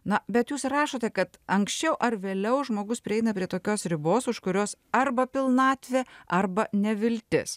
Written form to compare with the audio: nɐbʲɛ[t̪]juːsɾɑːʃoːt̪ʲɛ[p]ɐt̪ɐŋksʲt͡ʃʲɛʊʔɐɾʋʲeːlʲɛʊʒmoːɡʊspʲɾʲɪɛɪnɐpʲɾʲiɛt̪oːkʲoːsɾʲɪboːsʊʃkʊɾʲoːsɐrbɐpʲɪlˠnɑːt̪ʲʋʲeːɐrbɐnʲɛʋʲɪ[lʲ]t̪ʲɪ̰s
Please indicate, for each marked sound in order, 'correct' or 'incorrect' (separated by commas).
correct, incorrect, correct